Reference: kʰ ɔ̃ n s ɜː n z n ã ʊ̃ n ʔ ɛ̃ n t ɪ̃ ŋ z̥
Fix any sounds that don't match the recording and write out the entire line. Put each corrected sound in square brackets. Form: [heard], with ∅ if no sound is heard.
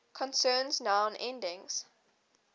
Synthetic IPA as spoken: kʰ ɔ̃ n s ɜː n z n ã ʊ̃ n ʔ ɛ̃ n [d] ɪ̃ ŋ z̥